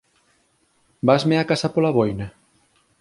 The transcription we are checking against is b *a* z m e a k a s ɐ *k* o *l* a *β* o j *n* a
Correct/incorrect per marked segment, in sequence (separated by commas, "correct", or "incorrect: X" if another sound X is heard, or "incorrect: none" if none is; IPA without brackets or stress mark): correct, incorrect: p, correct, correct, correct